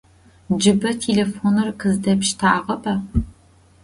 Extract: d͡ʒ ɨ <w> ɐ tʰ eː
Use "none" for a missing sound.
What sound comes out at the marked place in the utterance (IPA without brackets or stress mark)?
b